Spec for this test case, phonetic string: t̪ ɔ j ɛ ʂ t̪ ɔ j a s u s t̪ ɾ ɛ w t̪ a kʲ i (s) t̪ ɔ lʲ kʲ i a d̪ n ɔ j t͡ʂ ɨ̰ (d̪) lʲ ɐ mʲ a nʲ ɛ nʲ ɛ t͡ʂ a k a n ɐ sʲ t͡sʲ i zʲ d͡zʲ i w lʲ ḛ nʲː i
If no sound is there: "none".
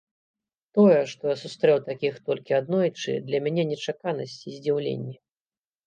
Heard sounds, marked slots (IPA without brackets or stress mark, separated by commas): x, d̪